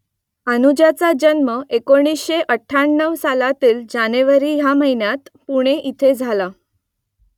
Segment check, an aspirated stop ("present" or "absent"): present